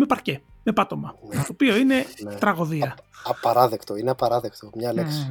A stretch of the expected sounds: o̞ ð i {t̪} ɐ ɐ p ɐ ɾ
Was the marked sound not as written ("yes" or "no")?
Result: yes